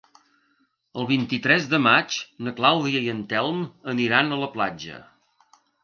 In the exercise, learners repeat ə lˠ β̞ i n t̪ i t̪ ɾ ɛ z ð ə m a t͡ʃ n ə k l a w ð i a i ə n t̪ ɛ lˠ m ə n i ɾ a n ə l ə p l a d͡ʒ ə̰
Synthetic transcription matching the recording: ə lˠ β̞ i n t̪ i t̪ ɾ ɛ z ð ə m a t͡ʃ n ə k l a w ð i ə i ə n t̪ ɛ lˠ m ə n i ɾ a n ə l ə p l a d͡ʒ ə̰

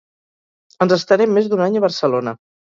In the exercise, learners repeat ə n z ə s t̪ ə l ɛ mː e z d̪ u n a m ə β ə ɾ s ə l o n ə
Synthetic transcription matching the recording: ə n z ə s t̪ ə ɾ ɛ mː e z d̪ u n a ɲ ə β ə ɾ s ə l o n ə

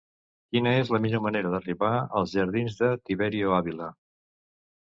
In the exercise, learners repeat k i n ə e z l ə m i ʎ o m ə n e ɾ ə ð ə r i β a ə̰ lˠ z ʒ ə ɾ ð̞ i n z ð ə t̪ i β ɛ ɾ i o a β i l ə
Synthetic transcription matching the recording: k i n ə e z l ə m i ʎ o m ə n e ɾ ə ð ə r i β a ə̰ lˠ z ʒ ə ɾ ð̞ i n z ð ə t̪ i β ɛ ɾ i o a β i l ə

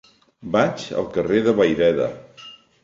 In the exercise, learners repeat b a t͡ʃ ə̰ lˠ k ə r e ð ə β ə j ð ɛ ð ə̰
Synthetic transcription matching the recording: b a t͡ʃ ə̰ lˠ k ə r e ð ə β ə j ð ɛ ð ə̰

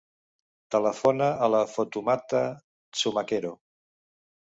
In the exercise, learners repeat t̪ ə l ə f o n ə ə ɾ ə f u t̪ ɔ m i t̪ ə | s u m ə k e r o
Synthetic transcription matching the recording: t̪ ə l ə f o n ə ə l ə f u t̪ u m a t̪ ə | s u m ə k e ɾ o

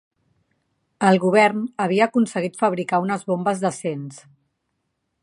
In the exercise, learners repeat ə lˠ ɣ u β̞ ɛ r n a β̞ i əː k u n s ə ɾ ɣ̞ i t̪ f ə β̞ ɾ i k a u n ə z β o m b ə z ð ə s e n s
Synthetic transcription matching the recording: ə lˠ ɣ u β̞ ɛ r n ə β̞ i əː k u n s ə ɣ̞ i t̪ f ə β̞ ɾ i k a u n ə z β o m b ə z ð ə s e n s

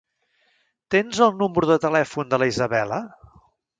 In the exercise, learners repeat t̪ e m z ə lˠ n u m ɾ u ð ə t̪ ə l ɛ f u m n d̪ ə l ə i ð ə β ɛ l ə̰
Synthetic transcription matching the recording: t̪ e n z ə lˠ n u m ɾ u ð ə t̪ ə l ɛ f u n d̪ ə l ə i z ə β ɛ l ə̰

